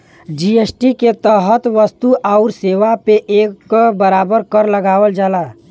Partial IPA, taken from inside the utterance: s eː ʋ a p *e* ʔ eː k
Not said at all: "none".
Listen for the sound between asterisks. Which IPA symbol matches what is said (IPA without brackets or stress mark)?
e